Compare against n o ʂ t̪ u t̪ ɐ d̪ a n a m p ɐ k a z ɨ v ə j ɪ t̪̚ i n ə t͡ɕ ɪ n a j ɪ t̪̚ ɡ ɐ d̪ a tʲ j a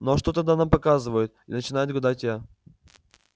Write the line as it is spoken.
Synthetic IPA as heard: n o ʂ t̪ o t̪ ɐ d̪ a n a m p ɐ k a z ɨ v ə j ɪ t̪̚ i n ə t͡ɕ ɪ n a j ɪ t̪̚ ɡ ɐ d̪ a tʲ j a